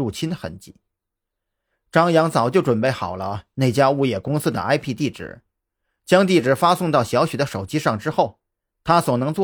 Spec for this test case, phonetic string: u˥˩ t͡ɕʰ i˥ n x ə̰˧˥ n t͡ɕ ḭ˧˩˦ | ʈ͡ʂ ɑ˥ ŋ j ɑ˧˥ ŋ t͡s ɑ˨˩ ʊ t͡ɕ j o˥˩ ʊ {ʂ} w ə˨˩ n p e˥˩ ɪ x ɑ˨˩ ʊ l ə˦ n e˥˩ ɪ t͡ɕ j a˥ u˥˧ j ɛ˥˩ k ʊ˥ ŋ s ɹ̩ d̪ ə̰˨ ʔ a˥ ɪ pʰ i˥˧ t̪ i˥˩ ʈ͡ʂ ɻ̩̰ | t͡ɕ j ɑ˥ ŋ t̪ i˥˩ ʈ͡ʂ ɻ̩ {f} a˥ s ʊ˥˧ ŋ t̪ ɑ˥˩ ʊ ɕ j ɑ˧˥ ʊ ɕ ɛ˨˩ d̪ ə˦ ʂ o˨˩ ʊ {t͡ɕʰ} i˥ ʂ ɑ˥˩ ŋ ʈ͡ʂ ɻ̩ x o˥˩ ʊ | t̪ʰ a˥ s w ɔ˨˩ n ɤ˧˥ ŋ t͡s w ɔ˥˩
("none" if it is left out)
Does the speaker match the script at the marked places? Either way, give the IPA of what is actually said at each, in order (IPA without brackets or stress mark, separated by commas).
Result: ʈ͡ʂ, f, t͡ɕ